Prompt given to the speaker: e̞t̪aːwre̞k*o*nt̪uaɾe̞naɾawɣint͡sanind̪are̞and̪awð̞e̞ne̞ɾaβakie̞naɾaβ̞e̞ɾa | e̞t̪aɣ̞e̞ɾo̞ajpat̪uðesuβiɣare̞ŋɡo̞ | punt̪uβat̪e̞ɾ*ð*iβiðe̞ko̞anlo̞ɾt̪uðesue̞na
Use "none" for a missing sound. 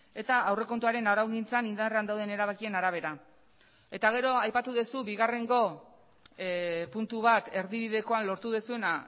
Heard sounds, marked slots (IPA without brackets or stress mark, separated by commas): o, ð